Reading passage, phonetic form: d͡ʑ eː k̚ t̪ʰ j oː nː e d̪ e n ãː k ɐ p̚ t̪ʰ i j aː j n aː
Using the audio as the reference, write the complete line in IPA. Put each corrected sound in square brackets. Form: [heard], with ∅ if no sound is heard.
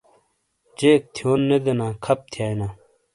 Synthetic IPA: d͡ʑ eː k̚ t̪ʰ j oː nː e d̪ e n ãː [kʰ] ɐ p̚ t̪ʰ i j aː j n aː